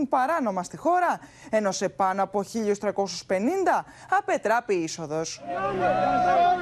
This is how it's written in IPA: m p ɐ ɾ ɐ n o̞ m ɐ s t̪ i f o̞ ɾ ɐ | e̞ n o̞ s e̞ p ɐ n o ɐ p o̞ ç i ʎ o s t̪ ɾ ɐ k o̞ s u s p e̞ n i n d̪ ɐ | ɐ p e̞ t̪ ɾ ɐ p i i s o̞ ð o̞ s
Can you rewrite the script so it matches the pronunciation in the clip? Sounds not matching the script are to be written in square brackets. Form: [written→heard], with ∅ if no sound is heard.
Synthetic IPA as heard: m p ɐ ɾ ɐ n o̞ m ɐ s t̪ i [f→x] o̞ ɾ ɐ | e̞ n o̞ s e̞ p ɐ n o ɐ p o̞ ç i ʎ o s t̪ ɾ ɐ k o̞ s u s p e̞ n i n d̪ ɐ | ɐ p e̞ t̪ ɾ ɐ p i i s o̞ ð o̞ s